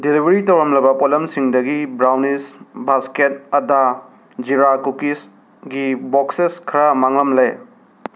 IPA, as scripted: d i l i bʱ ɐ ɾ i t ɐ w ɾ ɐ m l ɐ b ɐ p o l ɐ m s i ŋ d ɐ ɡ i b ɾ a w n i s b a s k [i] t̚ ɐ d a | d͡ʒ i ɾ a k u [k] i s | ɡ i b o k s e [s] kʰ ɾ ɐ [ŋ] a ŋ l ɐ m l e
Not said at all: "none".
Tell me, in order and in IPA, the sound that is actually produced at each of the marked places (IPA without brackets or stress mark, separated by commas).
e, k, s, m